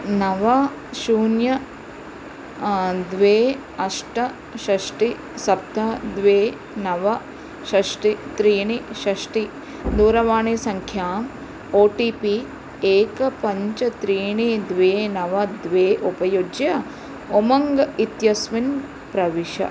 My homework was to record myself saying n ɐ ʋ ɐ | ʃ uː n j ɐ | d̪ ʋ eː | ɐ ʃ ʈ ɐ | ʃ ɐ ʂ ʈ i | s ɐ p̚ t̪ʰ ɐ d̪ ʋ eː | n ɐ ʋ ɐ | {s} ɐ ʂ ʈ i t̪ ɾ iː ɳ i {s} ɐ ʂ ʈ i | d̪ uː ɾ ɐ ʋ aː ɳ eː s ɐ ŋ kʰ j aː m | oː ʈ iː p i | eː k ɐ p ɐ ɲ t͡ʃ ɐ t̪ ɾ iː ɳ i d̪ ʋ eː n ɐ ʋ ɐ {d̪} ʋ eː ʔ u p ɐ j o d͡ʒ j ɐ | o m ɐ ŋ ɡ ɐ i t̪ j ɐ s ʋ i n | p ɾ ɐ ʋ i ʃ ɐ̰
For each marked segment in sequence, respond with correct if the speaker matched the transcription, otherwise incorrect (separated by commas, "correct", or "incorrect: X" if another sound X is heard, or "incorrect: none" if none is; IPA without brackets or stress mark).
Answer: incorrect: ʃ, incorrect: ʃ, correct